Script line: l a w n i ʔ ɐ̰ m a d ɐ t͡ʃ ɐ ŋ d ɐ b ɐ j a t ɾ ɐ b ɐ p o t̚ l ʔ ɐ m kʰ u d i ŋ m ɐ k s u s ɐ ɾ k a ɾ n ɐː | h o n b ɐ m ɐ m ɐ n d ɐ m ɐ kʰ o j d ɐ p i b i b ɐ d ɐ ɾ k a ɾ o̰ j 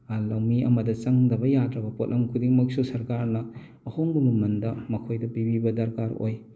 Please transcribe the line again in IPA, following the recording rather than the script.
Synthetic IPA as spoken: l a w m i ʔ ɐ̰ m ɐ d ɐ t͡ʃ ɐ ŋ d ɐ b ɐ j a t ɾ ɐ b ɐ p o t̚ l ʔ ɐ m kʰ u d i ŋ m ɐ k s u s ɐ ɾ k a ɾ n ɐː | h o ŋ b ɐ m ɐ m ɐ n d ɐ m ɐ kʰ o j d ɐ p i b i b ɐ d ɐ ɾ k a ɾ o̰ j